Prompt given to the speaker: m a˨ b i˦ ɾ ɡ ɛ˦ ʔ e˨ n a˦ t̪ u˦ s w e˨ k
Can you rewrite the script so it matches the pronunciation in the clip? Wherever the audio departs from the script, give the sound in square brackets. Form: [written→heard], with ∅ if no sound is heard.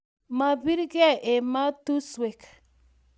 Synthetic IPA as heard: m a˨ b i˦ ɾ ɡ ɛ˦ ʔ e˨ [n→m] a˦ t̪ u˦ s w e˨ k